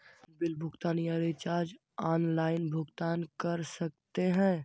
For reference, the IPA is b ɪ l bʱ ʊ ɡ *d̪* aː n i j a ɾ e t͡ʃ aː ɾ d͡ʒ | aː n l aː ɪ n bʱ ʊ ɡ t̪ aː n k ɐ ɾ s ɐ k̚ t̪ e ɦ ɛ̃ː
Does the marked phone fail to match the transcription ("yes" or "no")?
yes